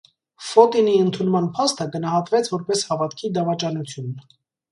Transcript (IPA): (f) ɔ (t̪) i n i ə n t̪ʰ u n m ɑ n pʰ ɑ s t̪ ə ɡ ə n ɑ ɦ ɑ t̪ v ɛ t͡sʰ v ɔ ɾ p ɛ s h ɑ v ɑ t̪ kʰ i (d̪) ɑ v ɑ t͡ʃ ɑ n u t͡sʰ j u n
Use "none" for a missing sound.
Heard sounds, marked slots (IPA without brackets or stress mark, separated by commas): f, t̪, d̪